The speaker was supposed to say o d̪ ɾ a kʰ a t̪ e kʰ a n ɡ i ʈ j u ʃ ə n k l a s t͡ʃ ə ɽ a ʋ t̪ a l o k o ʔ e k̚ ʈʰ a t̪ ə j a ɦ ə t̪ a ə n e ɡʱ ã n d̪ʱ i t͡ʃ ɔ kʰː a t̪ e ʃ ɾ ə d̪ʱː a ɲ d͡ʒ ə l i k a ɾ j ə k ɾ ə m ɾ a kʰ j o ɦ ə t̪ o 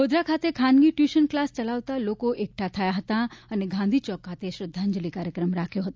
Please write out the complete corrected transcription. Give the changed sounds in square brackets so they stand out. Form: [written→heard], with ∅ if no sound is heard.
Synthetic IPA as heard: o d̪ ɾ a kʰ a t̪ e kʰ a n ɡ i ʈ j u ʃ ə n k l a s t͡ʃ ə [ɽ→l] a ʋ t̪ a l o k o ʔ e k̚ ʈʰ a [t̪→t̪ʰ] ə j a ɦ ə t̪ a ə n e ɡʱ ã n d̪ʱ i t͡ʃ ɔ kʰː a t̪ e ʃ ɾ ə d̪ʱː a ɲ d͡ʒ ə l i k a ɾ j ə k ɾ ə m ɾ a kʰ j o ɦ ə t̪ o